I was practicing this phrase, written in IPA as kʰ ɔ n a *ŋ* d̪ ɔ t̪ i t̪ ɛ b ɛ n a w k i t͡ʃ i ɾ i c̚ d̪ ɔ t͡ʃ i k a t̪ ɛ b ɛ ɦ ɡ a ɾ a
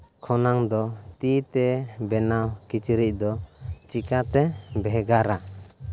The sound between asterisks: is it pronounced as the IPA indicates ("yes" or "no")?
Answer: yes